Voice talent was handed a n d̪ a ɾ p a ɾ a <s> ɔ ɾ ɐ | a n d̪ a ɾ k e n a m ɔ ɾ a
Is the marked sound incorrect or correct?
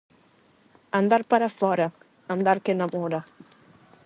incorrect